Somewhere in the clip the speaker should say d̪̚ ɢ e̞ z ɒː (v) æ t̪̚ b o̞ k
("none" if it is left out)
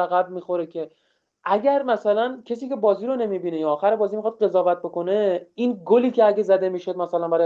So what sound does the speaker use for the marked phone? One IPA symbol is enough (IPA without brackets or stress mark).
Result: v